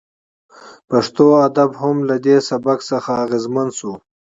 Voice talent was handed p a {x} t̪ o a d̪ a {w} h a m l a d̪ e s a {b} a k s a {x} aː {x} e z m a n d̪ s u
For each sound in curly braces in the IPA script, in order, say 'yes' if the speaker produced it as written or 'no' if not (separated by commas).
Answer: no, no, yes, yes, no